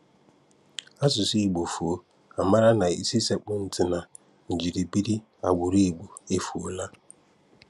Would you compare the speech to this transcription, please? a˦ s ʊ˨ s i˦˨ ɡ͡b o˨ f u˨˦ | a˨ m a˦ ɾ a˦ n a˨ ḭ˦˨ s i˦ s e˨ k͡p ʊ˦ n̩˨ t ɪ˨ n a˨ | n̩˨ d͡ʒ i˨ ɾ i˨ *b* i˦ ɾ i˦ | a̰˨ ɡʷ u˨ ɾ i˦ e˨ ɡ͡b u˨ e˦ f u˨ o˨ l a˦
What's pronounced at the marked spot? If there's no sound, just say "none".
b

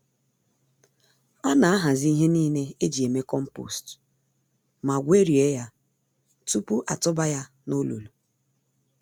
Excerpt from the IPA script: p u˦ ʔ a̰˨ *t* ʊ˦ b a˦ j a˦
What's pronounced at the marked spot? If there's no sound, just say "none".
t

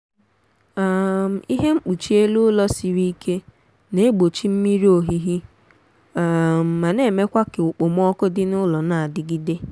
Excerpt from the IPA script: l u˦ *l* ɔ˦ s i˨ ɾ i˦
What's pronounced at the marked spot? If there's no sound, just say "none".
l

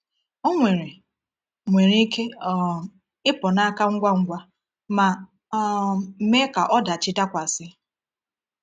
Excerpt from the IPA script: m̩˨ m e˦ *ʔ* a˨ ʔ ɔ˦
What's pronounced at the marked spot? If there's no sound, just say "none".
k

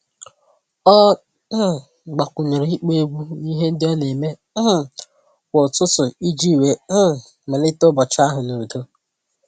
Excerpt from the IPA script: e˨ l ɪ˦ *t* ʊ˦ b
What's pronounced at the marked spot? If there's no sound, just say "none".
t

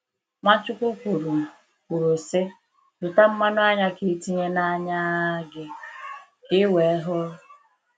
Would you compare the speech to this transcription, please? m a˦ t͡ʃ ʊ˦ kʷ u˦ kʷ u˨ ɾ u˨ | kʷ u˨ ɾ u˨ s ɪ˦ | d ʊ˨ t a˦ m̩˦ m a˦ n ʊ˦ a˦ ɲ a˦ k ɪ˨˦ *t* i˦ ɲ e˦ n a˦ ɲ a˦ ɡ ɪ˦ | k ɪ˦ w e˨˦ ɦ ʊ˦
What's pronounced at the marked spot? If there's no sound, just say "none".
t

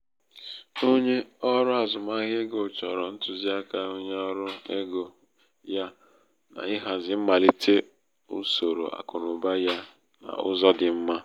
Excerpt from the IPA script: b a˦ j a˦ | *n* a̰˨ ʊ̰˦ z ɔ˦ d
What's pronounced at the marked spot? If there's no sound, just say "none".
n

